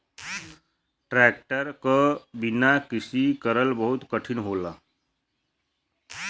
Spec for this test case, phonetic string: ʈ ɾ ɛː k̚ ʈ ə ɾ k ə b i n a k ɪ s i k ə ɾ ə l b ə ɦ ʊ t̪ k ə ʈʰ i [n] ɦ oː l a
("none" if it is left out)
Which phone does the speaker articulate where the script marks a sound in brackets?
n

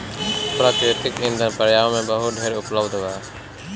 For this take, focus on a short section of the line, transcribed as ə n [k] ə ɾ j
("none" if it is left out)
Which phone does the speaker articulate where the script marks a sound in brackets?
p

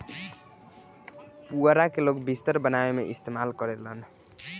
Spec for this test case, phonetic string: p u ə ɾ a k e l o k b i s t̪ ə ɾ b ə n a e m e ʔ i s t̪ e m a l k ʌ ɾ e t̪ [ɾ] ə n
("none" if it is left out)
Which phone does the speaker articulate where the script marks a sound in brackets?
l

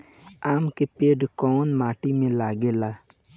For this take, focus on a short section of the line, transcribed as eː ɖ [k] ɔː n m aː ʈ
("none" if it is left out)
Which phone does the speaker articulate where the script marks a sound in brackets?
k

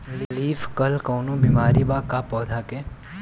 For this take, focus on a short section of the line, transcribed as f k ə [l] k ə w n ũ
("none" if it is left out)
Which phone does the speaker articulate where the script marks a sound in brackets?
l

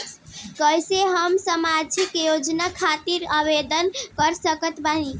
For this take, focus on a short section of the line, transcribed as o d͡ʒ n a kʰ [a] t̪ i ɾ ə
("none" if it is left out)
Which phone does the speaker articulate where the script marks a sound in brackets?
a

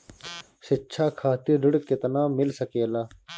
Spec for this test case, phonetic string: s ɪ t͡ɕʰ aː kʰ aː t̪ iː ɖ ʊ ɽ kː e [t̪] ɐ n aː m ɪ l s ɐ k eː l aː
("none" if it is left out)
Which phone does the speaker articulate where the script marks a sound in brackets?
t̪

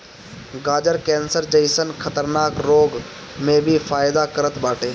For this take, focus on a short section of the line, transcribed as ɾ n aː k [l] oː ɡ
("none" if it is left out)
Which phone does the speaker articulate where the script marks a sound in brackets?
ɾ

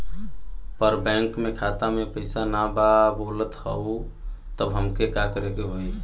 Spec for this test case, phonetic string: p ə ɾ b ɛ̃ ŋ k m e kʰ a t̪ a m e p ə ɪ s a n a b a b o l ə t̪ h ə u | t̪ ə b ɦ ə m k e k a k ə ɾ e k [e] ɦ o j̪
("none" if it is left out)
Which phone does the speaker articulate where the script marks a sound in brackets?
e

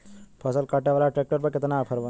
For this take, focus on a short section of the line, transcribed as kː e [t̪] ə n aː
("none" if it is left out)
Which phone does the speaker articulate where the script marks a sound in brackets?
t̪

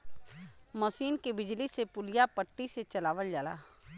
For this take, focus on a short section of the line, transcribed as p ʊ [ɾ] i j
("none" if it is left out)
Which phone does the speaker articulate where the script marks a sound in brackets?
l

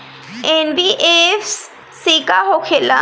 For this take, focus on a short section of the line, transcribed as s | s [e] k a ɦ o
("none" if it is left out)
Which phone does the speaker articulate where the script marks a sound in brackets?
i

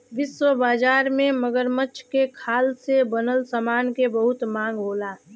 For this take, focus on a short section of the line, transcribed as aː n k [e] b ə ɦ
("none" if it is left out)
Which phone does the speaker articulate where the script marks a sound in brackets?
e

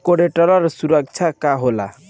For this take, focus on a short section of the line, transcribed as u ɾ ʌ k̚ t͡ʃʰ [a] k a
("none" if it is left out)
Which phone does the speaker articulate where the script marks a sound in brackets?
a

